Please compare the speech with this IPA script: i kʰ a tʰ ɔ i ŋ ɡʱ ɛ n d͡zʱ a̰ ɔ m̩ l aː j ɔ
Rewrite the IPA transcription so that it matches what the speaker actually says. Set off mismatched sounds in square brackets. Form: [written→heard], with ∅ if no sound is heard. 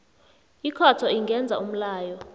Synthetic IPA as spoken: i kʰ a tʰ ɔ i ŋ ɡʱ ɛ n d͡zʱ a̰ [ɔ→u] m̩ l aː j ɔ